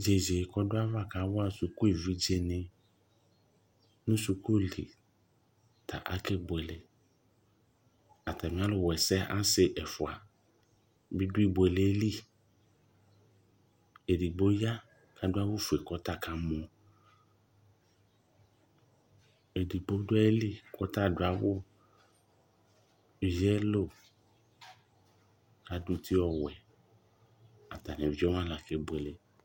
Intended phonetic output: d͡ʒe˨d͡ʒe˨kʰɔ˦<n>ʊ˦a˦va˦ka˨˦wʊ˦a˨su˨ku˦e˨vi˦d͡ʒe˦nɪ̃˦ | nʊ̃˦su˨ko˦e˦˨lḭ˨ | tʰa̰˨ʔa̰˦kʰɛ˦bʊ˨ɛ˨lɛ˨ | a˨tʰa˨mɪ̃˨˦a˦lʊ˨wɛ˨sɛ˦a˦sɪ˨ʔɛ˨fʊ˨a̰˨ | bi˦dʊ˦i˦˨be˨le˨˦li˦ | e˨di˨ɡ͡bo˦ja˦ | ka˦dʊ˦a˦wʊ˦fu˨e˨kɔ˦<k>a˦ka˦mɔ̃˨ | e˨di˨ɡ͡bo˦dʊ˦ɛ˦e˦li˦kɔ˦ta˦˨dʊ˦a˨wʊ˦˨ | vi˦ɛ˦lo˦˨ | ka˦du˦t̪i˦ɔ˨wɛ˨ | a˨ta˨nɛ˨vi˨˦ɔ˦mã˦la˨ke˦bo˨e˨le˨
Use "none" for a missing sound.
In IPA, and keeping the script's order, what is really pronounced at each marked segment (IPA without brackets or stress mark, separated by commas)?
d, t